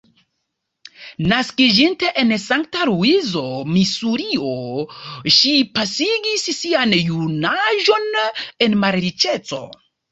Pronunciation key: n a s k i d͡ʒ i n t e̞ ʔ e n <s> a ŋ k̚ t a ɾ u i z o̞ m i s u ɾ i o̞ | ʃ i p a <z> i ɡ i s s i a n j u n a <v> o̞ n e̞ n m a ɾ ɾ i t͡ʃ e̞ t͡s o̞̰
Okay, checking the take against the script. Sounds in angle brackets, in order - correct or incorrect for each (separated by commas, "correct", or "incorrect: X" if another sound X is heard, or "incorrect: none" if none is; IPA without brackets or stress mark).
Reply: correct, incorrect: s, incorrect: ʒ